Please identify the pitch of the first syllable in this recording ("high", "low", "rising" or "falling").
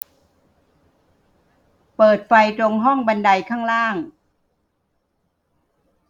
low